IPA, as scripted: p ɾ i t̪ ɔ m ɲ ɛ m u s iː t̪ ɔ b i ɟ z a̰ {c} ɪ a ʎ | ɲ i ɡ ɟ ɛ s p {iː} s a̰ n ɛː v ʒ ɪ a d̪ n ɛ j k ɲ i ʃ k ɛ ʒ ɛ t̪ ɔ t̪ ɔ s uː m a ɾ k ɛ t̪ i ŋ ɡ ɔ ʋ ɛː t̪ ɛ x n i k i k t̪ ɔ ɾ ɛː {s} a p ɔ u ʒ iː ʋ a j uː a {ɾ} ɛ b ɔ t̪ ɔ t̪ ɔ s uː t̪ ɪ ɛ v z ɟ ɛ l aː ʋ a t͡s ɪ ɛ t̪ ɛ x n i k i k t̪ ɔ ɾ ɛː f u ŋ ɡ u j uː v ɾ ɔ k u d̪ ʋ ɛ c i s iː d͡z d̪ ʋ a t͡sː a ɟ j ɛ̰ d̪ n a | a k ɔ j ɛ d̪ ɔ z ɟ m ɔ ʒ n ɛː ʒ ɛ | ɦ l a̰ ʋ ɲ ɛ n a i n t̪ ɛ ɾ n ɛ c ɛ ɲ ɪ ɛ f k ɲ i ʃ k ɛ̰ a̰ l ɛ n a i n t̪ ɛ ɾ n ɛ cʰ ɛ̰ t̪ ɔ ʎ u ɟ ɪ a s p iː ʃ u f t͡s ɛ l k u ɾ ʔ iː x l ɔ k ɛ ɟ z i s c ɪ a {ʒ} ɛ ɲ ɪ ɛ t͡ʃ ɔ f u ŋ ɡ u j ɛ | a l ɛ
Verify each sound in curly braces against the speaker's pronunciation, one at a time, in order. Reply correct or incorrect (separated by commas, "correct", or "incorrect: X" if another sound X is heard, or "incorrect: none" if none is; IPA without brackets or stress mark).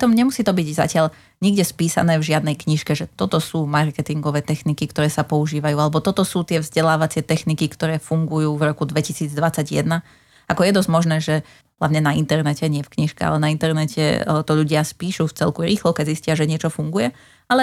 correct, correct, correct, incorrect: l, correct